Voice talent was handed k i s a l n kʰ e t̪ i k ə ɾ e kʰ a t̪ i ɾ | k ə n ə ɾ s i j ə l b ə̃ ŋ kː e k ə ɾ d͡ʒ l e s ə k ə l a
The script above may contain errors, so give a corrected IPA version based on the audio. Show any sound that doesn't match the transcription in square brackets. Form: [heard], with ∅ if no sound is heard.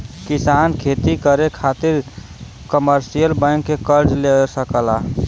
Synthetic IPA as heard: k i s a [∅] n kʰ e t̪ i k ə ɾ e kʰ a t̪ i ɾ | k ə [m] ə ɾ s i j ə l b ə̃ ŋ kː e k ə ɾ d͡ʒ l e s ə k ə l a